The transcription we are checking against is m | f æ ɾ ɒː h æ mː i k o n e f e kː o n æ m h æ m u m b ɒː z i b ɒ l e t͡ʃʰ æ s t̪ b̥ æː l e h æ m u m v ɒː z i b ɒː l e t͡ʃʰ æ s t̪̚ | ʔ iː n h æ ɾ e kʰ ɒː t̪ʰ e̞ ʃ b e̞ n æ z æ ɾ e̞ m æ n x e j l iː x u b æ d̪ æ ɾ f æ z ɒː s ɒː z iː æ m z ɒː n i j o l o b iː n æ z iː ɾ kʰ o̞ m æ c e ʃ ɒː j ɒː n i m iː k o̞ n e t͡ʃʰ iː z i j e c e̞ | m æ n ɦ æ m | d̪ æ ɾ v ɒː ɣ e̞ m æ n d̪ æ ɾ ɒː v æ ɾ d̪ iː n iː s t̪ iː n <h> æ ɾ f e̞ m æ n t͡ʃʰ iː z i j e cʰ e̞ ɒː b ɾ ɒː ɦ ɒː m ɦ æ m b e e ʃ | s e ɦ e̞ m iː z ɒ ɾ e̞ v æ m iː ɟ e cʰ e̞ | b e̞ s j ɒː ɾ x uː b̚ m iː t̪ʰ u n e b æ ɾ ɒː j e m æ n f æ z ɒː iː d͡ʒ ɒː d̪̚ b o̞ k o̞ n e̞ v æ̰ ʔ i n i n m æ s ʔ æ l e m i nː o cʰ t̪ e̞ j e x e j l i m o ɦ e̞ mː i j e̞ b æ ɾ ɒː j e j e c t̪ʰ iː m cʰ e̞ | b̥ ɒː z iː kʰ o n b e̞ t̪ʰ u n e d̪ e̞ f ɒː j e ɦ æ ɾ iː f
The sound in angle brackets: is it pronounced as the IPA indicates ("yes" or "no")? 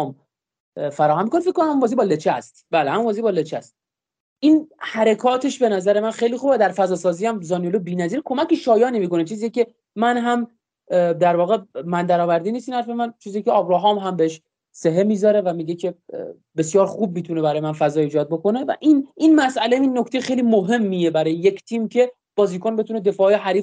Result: yes